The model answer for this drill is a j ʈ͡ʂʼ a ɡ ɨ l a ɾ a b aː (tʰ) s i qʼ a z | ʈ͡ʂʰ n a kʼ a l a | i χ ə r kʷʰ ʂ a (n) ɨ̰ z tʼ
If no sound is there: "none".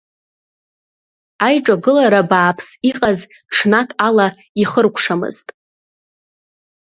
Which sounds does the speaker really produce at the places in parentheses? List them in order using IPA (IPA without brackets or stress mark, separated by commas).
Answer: pʰ, m